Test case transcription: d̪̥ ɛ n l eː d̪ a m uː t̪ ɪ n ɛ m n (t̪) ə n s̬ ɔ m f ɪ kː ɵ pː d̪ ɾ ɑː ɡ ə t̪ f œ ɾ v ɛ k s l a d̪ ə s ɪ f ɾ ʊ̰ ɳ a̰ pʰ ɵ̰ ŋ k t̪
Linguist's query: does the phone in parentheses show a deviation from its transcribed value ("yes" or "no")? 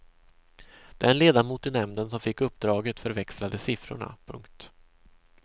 yes